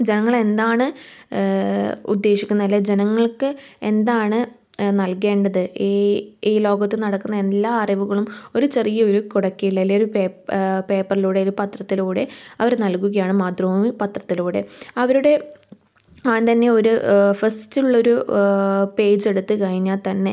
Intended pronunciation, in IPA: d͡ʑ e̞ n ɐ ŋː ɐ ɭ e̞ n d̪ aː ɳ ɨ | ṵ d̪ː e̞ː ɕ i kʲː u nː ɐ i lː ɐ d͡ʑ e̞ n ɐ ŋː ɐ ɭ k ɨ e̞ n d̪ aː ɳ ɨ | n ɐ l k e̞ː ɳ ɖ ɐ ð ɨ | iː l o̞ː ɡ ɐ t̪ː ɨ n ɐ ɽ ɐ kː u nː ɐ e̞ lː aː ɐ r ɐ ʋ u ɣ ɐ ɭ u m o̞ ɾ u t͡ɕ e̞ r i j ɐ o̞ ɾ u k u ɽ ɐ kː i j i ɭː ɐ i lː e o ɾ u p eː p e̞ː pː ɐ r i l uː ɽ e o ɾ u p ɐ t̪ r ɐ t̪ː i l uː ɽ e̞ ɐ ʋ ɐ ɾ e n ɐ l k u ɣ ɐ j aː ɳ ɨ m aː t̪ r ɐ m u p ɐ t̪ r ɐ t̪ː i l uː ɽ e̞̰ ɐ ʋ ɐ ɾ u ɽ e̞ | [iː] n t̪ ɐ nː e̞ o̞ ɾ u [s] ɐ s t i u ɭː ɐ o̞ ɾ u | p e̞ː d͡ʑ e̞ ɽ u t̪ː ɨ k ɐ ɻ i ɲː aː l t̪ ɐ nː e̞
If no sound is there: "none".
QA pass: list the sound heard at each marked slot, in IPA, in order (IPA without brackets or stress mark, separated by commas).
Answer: aː, f